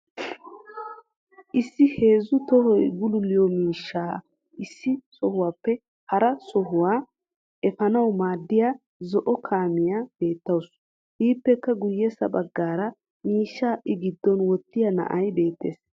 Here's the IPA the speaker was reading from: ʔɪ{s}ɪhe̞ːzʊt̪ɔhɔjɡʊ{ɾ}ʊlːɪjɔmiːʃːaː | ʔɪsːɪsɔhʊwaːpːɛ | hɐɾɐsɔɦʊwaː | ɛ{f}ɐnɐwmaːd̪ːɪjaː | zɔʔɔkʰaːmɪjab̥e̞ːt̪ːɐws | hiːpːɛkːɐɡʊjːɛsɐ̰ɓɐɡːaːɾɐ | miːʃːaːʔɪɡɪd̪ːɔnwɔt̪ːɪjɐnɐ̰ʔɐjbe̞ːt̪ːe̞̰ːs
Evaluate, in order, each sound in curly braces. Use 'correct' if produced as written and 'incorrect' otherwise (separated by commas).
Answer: incorrect, incorrect, correct